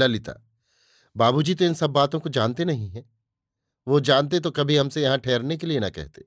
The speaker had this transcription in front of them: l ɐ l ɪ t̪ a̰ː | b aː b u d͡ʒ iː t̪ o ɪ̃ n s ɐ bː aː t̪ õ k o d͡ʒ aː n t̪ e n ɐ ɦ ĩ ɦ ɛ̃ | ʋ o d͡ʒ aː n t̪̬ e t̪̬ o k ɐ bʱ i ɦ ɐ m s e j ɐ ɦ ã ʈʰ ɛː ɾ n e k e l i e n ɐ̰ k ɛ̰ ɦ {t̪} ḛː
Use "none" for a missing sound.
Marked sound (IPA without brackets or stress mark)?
t̪